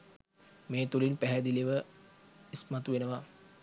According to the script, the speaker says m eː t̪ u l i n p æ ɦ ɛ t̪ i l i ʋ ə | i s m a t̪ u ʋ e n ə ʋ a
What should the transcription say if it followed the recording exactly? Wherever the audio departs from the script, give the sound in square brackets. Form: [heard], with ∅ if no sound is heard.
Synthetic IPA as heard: m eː t̪ u l i n p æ ɦ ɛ [d̪] i l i ʋ ə | i s m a t̪ u ʋ e n ə ʋ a